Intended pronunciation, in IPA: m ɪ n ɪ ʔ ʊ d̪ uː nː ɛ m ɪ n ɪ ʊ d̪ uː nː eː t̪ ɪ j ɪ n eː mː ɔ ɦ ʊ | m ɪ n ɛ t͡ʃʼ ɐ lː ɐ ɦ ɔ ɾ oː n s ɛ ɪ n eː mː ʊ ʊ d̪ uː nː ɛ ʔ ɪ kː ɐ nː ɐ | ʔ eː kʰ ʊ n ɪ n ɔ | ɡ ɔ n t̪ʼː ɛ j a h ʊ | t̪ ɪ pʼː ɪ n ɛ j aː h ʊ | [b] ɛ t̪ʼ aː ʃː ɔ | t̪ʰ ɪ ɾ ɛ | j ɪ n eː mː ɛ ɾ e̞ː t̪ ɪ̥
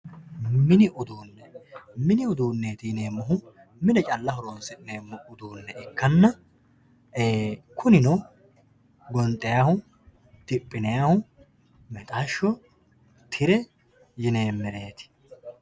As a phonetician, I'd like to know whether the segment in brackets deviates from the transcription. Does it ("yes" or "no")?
yes